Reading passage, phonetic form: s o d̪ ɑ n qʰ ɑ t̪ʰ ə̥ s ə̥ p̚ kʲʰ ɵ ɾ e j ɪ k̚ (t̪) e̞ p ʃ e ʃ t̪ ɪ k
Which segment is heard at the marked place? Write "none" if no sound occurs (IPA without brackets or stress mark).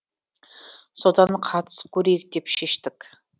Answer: d̪